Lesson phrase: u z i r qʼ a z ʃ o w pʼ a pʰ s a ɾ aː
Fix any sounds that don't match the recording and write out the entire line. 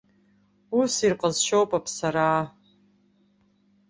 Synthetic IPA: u s i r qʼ ə z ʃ o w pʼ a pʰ s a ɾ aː